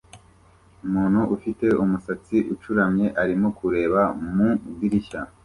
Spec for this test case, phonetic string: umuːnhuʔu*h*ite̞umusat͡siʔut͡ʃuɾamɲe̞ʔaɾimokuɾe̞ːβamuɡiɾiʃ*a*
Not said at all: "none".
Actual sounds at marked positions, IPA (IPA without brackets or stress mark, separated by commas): f, a